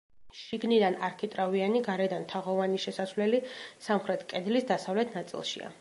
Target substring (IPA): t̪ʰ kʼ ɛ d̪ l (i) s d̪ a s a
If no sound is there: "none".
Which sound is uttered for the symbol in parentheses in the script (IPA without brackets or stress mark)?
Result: i